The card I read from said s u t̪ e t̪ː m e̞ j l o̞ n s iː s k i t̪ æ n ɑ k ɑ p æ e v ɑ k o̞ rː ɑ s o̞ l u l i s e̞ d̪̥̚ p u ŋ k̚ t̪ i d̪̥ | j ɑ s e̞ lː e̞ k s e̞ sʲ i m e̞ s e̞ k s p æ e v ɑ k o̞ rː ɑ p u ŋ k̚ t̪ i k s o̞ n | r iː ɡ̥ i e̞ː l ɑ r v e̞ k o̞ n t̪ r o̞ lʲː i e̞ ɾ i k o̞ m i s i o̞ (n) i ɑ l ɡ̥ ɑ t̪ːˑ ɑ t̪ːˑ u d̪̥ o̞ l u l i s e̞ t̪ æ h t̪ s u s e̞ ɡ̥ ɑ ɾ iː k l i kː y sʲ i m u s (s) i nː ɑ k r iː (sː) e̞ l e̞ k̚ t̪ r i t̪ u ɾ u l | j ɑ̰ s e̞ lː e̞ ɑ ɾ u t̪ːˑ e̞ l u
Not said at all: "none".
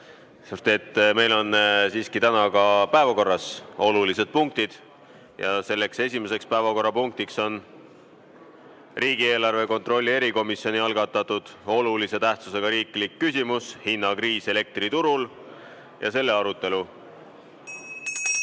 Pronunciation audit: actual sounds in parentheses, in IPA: n, h, s

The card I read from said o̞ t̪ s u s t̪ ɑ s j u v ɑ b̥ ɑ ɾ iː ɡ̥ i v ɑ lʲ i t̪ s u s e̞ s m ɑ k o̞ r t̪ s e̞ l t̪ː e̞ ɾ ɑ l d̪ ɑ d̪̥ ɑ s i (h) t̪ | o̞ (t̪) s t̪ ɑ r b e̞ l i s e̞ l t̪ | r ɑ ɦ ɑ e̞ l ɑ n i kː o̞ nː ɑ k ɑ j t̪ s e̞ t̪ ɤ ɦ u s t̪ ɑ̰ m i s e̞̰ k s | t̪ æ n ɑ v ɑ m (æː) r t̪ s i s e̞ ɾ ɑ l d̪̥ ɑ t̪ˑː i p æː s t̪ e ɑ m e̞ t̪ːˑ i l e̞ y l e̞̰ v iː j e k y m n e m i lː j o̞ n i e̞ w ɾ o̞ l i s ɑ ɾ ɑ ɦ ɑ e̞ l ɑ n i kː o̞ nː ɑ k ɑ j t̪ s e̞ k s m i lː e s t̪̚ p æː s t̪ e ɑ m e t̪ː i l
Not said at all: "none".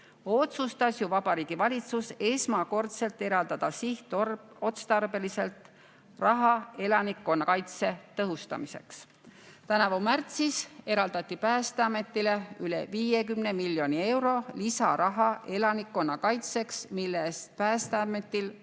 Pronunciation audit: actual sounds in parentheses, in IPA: h, t̪, æ

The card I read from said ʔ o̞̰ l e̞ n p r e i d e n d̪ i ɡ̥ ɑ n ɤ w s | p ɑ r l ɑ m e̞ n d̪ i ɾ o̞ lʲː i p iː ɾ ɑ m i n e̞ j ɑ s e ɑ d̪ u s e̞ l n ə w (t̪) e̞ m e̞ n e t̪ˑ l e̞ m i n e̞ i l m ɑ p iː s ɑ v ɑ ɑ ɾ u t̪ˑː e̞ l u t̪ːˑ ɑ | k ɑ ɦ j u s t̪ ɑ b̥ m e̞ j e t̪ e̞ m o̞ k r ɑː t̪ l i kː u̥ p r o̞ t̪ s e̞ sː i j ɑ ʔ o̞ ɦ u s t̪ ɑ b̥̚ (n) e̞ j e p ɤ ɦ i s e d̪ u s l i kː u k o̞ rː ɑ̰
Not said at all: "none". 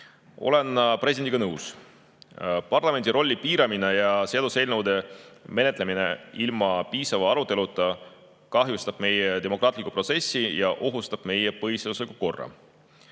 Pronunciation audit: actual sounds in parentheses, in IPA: d̪, m

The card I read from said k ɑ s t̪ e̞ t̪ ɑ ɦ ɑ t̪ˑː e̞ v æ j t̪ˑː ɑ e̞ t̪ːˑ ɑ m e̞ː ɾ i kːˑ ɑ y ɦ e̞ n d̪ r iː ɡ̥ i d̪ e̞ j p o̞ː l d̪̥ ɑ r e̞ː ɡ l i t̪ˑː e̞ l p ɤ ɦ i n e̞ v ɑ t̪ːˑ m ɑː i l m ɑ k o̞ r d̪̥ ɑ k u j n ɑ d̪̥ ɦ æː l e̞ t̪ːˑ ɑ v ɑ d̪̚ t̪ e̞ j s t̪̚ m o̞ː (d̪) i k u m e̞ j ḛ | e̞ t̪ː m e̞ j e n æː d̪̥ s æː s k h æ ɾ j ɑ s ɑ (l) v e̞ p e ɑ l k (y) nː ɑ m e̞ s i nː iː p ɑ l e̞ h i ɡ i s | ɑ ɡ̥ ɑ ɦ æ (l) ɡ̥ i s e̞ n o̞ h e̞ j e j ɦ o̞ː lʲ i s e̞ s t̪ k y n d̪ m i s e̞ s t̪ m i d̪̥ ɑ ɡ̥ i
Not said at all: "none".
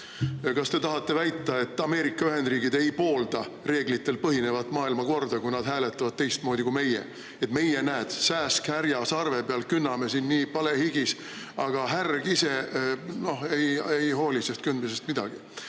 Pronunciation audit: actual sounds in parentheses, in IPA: d̪, r, y, r

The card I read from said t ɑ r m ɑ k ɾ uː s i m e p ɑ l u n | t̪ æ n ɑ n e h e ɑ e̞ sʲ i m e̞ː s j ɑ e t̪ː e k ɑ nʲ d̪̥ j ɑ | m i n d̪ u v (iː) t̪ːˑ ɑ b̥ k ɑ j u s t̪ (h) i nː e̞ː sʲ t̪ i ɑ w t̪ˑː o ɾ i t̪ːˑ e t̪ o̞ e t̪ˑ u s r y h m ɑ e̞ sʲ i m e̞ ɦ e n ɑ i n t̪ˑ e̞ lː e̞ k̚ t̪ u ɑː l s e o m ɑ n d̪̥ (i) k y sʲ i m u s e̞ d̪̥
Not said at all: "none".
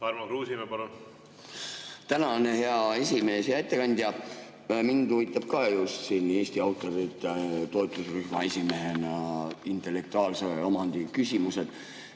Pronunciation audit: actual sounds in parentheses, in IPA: i, s, i

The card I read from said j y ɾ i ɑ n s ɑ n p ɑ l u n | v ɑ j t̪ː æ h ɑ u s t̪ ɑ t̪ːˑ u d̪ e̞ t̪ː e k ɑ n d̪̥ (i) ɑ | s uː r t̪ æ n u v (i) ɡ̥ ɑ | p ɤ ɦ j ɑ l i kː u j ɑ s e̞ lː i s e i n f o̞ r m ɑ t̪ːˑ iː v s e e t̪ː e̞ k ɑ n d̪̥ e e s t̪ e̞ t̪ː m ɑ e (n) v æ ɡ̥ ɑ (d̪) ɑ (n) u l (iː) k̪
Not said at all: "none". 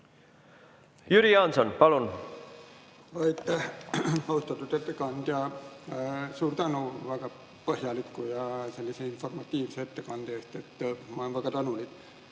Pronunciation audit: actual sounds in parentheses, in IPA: j, æ, n, t̪, n, i

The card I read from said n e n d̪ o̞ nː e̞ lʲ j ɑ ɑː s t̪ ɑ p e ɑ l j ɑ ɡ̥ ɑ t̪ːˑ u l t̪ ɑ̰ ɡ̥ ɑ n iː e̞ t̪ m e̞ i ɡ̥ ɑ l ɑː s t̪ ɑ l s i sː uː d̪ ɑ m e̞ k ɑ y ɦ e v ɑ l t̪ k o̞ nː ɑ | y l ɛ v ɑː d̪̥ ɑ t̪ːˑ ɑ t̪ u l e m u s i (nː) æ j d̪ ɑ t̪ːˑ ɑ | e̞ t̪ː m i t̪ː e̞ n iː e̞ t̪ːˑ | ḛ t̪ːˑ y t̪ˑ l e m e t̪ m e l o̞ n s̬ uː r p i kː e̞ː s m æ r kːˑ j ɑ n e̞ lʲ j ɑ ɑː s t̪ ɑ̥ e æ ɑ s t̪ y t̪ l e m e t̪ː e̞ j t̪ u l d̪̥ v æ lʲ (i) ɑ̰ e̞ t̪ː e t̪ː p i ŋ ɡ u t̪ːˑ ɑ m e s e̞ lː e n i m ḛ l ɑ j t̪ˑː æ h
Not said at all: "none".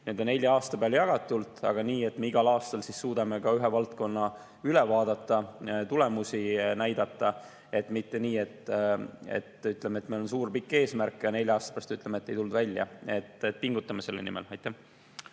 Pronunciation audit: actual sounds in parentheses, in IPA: n, j

